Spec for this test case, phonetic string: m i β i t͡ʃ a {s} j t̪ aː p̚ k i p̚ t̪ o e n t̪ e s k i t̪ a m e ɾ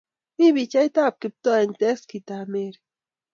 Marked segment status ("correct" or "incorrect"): incorrect